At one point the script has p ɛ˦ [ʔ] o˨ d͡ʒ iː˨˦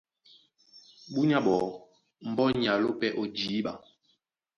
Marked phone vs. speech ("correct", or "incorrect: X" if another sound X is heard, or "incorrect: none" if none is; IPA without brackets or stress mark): correct